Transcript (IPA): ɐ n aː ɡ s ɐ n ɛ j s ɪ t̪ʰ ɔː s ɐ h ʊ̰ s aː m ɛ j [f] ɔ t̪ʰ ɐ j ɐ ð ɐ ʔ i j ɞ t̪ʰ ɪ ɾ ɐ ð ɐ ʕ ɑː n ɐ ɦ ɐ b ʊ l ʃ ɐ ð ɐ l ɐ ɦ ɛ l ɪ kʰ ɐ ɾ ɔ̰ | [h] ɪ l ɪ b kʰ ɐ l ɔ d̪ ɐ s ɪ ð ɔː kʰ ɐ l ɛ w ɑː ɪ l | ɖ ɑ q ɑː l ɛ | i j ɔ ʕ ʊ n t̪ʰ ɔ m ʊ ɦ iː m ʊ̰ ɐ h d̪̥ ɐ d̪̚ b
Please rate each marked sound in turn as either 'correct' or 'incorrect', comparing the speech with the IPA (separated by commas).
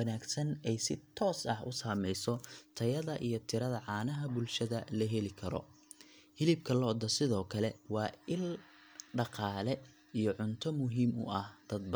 incorrect, correct